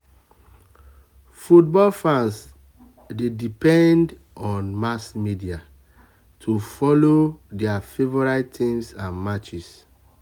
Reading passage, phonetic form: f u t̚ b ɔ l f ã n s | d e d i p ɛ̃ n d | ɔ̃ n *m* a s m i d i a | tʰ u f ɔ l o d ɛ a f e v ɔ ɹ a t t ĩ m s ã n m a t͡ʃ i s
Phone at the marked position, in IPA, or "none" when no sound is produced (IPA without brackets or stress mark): m